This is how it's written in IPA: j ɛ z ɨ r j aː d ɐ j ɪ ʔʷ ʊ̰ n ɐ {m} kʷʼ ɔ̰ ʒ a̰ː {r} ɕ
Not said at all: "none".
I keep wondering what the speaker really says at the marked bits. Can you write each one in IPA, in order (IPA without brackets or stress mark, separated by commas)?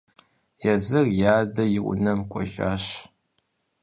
m, none